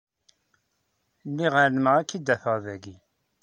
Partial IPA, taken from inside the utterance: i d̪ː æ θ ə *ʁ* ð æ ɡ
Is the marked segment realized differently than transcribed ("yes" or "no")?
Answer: no